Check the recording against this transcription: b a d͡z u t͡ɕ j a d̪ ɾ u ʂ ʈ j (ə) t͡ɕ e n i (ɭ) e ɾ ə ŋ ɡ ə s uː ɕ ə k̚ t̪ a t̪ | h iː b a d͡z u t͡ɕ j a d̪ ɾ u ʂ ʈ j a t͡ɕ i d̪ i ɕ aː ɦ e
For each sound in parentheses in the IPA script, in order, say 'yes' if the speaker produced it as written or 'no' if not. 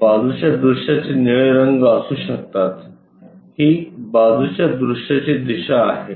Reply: no, yes

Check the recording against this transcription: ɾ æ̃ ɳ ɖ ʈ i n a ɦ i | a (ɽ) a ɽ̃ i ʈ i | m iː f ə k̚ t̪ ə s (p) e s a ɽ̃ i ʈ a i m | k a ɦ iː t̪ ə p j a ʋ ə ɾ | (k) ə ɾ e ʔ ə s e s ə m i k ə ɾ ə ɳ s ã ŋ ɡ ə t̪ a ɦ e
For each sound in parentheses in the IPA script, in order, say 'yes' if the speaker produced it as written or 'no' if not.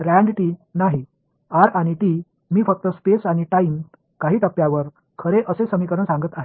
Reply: no, yes, no

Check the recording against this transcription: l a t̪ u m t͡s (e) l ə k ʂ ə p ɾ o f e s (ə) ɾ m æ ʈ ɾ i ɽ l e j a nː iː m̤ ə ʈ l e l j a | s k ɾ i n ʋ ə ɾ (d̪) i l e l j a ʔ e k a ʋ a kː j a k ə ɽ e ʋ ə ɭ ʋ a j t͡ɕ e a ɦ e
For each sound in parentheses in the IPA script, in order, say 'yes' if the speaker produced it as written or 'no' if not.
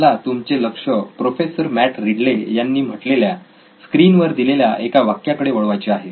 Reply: yes, yes, yes

